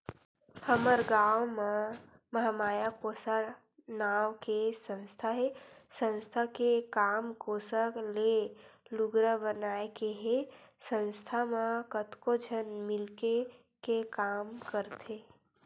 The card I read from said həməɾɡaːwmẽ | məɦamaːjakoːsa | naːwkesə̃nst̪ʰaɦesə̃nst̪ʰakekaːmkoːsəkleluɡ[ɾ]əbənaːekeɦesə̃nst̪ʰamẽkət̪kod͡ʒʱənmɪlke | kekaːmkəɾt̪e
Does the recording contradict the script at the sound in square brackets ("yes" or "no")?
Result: no